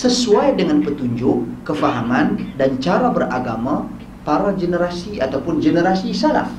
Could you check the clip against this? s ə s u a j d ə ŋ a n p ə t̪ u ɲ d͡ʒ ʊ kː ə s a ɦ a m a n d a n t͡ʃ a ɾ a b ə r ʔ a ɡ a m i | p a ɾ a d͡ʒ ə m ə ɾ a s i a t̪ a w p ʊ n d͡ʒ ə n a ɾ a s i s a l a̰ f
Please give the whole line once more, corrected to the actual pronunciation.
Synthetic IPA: s ə s u a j d ə ŋ a n p ə t̪ u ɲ d͡ʒ ʊ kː ə f a ɦ a m a n d a n t͡ʃ a ɾ a b ə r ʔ a ɡ a m a | p a ɾ a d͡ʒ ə n ə ɾ a s i a t̪ a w p ʊ n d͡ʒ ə n ə ɾ a s i s a l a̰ f

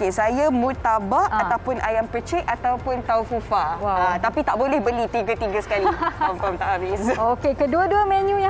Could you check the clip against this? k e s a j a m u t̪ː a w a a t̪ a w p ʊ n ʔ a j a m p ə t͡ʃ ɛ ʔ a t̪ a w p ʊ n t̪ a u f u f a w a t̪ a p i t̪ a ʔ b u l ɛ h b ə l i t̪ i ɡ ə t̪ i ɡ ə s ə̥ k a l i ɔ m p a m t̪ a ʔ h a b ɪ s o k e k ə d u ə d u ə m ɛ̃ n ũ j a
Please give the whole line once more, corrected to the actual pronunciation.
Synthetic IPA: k e s a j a m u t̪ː a b a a t̪ a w p ʊ n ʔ a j a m p ə t͡ʃ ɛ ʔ a t̪ a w p ʊ n t̪ a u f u f a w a t̪ a p i t̪ a ʔ b o l ɛ h b ə l i t̪ i ɡ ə t̪ i ɡ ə s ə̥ k a l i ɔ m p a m t̪ a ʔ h a b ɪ s o k e k ə d u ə d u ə m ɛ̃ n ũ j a

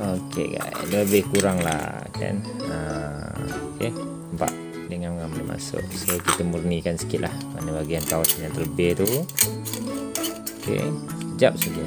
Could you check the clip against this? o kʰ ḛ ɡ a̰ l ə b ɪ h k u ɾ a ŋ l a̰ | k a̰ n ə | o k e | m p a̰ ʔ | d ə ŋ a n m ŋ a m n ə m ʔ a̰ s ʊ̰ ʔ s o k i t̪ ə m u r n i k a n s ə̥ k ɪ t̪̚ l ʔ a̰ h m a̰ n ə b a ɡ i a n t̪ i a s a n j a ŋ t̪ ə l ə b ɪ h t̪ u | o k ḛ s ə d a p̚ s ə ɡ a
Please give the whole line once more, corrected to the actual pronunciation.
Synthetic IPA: o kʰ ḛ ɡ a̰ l ə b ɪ h k u ɾ a ŋ l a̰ | k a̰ n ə | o k e | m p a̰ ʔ | d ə ŋ a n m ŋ a m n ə m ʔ a̰ s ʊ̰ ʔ s o k i t̪ ə m u r n i k a n s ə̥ k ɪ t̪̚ l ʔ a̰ h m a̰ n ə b a ɡ i a n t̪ a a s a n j a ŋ t̪ ə l ə b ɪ h t̪ u | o k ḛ s ə d͡ʒ a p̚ s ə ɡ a

